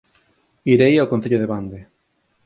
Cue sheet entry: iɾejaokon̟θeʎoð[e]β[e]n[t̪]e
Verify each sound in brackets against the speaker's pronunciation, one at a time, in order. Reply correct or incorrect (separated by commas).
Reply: correct, incorrect, incorrect